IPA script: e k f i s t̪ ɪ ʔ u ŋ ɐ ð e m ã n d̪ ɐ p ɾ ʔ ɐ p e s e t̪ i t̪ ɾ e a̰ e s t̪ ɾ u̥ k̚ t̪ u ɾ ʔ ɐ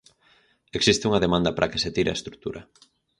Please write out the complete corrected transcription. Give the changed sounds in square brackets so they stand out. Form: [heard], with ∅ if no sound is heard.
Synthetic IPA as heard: e k [s] i s t̪ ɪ [∅] u ŋ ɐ ð e m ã n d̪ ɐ p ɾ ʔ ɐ [k] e s e t̪ i [∅] ɾ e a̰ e s t̪ ɾ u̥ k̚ t̪ u ɾ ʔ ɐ